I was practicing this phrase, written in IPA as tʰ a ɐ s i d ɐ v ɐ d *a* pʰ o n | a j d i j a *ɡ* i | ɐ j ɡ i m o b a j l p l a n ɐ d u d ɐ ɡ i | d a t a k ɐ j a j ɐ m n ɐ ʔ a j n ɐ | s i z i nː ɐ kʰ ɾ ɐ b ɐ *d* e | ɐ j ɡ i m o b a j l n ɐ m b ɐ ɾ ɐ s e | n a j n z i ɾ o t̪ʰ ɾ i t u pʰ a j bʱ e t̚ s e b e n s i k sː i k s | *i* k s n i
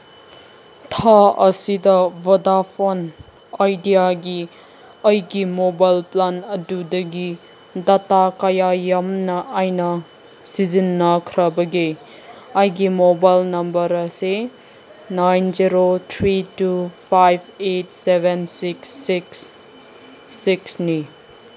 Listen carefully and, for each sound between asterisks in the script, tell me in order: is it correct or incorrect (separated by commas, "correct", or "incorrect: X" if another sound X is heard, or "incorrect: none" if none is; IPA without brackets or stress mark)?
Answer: correct, correct, incorrect: ɡ, correct